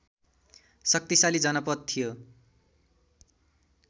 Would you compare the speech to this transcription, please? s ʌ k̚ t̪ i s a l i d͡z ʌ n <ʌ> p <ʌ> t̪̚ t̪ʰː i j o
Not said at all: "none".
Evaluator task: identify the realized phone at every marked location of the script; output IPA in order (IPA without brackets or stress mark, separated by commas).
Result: ʌ, ʌ